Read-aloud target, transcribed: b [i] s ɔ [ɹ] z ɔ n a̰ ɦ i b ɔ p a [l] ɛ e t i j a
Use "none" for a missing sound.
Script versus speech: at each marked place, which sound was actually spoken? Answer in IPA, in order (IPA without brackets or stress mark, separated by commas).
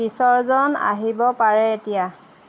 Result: i, ɹ, ɹ